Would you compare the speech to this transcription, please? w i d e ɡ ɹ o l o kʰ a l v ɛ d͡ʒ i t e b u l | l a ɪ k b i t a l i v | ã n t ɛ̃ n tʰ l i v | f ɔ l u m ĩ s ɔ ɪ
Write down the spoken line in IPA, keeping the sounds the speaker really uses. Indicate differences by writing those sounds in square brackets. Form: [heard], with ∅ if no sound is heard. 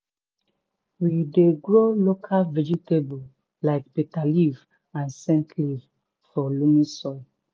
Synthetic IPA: w i d e ɡ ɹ o l o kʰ a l v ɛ d͡ʒ i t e b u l | l a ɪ k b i t a l i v | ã n [s] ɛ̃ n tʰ l i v | f ɔ l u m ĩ s ɔ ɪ